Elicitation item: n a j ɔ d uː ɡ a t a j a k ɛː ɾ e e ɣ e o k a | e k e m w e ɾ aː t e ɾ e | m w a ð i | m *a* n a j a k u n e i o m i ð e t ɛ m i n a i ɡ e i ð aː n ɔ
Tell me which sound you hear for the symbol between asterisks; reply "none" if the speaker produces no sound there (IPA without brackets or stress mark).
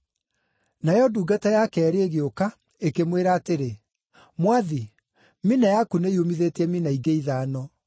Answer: i